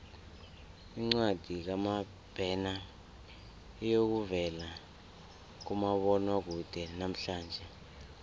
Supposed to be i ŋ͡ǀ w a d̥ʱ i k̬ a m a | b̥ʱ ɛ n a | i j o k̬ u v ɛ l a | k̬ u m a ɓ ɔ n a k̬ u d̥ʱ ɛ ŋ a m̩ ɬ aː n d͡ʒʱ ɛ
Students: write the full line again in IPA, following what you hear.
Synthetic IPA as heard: i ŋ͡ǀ w a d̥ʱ i k̬ a m a | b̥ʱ ɛ n a | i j o k̬ u v ɛ l a | k̬ u m a ɓ ɔ n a k̬ u d̥ʱ ɛ n a m̩ ɬ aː n d͡ʒʱ ɛ

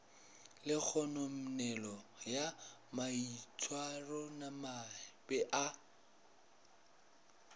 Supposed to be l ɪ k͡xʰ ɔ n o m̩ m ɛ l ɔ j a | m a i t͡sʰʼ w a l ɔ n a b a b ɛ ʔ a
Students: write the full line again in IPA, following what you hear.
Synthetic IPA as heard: l ɪ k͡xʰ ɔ n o m̩ n ɛ l ɔ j a | m a i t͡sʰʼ w a r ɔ n a m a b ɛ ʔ a

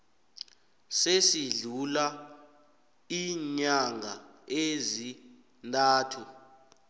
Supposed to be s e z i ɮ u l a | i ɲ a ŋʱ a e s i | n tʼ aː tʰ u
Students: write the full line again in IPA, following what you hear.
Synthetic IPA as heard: s e s i ɮ u l a | i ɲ a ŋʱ a e z i | n tʼ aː tʰ u

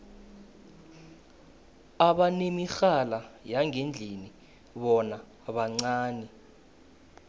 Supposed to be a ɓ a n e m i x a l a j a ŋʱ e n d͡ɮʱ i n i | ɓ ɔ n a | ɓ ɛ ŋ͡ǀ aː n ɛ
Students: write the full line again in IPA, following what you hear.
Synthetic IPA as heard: a ɓ a n e m i x a l a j a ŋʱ e n d͡ɮʱ i n i | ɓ ɔ n a | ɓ a ŋ͡ǀ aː n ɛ

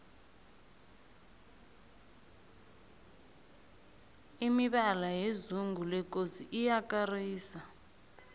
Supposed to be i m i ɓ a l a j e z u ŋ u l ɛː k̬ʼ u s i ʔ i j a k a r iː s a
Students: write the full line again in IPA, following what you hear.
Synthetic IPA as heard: i m i ɓ a l a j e z u ŋ u l ɛ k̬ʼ o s i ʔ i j a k a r iː s a

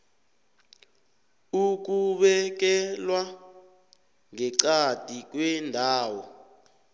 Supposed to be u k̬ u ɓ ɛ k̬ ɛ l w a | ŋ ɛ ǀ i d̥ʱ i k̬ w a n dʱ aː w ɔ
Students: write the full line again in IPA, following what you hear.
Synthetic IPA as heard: u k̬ u ɓ ɛ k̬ ɛ l w a | ŋ ɛ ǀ a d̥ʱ i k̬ w ɛ n dʱ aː w ɔ

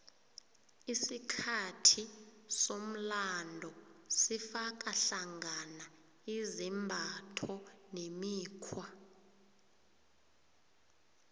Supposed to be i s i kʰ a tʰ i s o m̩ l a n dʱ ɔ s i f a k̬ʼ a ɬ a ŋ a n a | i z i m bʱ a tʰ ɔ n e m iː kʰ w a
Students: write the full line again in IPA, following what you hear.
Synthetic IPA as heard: i s i kʰ a tʰ i s o m̩ l a n dʱ ɔ s i f a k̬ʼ a ɬ a ŋ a n a | i z i m bʱ a tʰ ɔ n e m iː kʰ w a

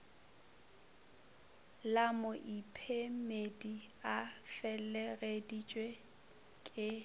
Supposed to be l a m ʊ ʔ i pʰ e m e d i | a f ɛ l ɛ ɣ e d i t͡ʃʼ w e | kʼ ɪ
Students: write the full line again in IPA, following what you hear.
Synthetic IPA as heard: l a m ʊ ʔ i pʰ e m e d i | a f ɛ l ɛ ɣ e d i t͡ʃʼ w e | kʼ ɪ

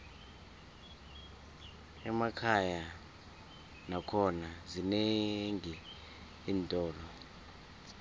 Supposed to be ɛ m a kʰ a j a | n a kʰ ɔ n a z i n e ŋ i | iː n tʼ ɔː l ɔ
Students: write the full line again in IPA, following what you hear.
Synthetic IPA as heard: ɛ m a kʰ a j a | n a kʰ ɔ n a z i n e ŋ i | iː n tʼ ɔː l ɔ

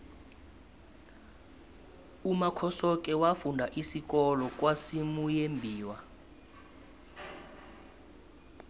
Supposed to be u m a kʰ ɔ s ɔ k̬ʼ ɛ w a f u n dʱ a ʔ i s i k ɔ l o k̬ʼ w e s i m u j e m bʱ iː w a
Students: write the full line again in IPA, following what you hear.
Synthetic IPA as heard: u m a kʰ ɔ s ɔ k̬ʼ ɛ w a f u n dʱ a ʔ i s i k ɔ l ɔ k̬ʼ w a s i m u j e m bʱ iː w a

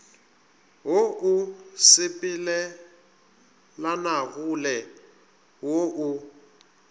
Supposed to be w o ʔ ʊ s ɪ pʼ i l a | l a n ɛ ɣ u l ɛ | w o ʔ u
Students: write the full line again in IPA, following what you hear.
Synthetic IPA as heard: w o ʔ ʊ s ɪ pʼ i l ɛ | l a n a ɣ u l ɛ | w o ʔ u

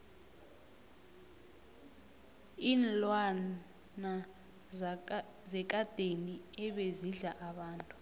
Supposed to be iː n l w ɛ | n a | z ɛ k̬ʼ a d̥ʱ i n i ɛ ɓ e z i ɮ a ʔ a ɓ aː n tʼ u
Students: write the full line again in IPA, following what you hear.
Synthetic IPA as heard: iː n l w a | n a | z ɛ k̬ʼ a d̥ʱ e n i ɛ ɓ e z i ɮ a ʔ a ɓ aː n tʼ u

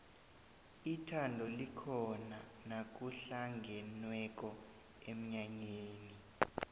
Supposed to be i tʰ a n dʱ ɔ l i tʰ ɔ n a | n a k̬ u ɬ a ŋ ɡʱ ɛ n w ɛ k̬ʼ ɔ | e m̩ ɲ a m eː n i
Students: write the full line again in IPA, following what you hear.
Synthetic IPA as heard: i tʰ a n dʱ ɔ l i kʰ ɔ n a | n a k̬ u ɬ a ŋ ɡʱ ɛ n w ɛ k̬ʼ ɔ | e m̩ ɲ a ɲ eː n i

